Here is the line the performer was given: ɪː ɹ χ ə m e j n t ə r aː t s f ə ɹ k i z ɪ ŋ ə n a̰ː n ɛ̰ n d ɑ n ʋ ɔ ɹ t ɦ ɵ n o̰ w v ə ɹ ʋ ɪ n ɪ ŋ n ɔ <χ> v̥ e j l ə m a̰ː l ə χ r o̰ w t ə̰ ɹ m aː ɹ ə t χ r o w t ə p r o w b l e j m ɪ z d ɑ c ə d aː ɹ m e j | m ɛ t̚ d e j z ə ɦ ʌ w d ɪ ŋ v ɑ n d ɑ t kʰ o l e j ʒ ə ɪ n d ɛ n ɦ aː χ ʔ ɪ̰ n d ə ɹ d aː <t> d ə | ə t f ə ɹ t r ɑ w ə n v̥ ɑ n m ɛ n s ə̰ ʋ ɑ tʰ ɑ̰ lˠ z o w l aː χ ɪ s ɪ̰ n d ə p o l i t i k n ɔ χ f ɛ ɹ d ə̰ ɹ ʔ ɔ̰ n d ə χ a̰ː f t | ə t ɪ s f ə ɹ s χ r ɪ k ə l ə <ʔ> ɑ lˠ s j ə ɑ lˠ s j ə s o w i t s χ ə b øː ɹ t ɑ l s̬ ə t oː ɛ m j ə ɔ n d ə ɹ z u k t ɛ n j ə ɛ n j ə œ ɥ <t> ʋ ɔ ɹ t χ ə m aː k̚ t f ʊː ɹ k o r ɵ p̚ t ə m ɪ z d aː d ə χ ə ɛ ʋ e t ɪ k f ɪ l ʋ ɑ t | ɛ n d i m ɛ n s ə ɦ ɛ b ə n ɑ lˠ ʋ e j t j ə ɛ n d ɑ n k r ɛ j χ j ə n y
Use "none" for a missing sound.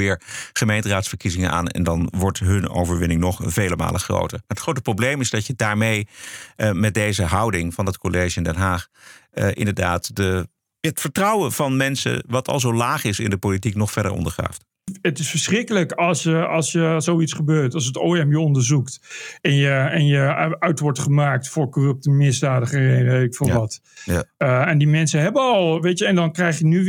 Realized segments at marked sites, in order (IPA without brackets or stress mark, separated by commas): χ, t, k, t